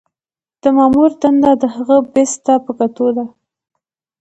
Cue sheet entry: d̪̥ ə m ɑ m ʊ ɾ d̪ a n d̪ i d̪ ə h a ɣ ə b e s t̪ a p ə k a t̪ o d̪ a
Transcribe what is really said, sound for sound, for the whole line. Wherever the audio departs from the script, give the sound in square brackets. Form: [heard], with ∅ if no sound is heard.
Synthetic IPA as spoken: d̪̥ ə m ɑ m [u] ɾ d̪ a n d̪ [a] d̪ ə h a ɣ ə b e s t̪ a p ə k a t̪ o d̪ a